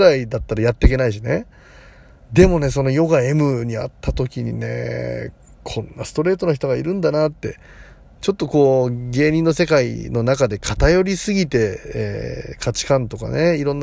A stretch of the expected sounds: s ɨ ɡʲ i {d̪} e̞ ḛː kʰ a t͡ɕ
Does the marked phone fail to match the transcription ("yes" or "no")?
yes